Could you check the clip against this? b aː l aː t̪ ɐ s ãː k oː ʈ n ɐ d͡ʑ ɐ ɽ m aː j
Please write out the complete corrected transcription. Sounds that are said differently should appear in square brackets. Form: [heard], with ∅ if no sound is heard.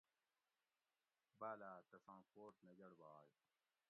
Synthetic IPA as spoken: b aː l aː t̪ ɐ s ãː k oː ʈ n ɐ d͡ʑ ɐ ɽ [b] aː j